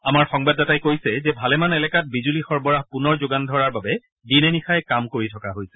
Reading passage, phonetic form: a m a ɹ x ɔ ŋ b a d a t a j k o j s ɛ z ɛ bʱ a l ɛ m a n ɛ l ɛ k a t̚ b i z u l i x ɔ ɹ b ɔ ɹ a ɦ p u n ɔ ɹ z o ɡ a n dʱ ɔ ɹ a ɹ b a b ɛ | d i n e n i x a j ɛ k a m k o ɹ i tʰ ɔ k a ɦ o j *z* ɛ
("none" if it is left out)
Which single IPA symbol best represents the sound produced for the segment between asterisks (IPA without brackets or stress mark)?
s